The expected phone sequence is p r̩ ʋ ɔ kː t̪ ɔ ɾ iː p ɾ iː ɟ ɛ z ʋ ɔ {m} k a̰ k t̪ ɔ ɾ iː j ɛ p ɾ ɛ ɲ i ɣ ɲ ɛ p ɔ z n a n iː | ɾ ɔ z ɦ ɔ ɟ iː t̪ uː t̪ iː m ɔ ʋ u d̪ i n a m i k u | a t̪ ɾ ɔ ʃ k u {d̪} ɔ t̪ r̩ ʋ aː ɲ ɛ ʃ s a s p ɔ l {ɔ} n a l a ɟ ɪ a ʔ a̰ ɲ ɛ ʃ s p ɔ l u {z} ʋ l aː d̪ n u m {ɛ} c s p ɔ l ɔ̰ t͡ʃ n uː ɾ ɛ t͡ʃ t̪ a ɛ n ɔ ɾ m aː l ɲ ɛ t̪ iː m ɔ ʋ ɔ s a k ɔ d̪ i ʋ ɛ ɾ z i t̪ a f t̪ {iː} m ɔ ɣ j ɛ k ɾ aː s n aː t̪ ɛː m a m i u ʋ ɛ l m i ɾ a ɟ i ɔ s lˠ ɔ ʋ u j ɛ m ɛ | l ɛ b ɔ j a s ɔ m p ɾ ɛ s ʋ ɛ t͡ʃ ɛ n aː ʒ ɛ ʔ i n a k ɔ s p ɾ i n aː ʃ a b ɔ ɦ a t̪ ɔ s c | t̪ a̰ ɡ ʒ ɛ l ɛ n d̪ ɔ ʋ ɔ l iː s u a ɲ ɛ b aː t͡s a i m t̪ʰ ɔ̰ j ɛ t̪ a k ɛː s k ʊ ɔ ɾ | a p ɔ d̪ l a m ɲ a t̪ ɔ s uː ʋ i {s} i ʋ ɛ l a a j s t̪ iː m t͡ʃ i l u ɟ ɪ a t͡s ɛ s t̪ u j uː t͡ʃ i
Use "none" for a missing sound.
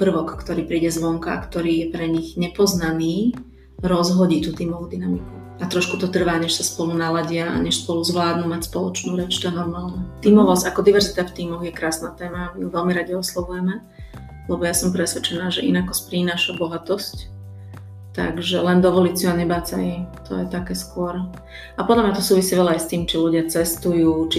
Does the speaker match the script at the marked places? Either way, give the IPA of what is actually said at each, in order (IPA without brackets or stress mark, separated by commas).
ŋ, t̪, u, z, a, iː, s